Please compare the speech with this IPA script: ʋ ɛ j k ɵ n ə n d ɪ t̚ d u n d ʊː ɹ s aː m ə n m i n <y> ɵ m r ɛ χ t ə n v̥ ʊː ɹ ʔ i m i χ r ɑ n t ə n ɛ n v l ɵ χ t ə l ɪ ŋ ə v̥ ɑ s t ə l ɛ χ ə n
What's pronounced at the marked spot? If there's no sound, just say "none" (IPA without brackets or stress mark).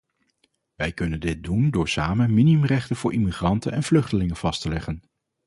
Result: i